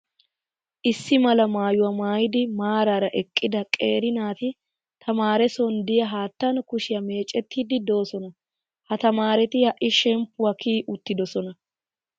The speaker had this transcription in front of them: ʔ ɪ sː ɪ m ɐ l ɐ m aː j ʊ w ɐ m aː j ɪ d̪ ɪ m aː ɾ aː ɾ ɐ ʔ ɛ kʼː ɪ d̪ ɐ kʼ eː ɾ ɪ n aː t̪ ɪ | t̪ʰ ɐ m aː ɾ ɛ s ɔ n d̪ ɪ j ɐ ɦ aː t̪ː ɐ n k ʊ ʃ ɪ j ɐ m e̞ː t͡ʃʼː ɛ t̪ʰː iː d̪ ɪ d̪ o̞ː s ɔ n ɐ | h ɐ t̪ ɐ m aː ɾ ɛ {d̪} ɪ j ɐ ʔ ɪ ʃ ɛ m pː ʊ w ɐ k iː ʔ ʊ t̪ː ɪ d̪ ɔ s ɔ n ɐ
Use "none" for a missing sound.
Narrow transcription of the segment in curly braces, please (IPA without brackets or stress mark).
t̪